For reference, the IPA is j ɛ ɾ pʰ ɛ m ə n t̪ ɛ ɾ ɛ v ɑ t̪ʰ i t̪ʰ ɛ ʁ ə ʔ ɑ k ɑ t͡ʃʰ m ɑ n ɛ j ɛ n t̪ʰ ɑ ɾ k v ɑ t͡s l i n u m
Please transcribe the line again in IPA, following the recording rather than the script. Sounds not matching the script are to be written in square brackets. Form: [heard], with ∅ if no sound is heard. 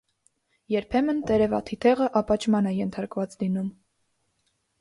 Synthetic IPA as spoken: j ɛ ɾ pʰ ɛ m ə n t̪ ɛ ɾ ɛ v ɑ t̪ʰ i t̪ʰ ɛ ʁ ə ʔ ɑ [p] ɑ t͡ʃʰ m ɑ n ɛ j ɛ n t̪ʰ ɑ ɾ k v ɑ t͡s l i n u m